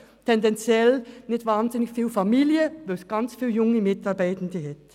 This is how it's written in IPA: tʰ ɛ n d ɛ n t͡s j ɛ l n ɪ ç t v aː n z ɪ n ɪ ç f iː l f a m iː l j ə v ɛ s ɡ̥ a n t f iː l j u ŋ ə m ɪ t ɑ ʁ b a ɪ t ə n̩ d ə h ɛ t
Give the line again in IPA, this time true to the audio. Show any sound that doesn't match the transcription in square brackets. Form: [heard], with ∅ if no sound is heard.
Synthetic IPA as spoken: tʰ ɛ n d ɛ n t͡s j ɛ l n ɪ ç t v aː n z ɪ n ɪ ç f iː l f a m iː l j ə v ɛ s ɡ̥ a n [t͡s] f iː l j [ʊ] ŋ ə m ɪ t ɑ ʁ b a ɪ t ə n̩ d ə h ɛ t